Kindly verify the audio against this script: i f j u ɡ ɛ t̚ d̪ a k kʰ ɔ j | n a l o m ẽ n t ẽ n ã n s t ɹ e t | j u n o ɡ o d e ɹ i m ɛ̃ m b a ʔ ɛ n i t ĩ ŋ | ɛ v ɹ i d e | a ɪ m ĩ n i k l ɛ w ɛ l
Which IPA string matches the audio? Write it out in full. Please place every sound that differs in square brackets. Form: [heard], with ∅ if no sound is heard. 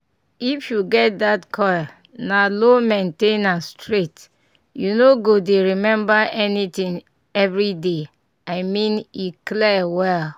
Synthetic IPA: i f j u ɡ ɛ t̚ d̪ a [t] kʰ ɔ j | n a l o m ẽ n t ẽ n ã n s t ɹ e t | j u n o ɡ o d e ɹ i m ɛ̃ m b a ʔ ɛ n i t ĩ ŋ | ɛ v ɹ i d e | a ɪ m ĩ n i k l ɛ w ɛ l